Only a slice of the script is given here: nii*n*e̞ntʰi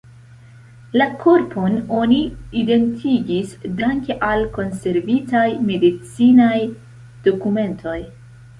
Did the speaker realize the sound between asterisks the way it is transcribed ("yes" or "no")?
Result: no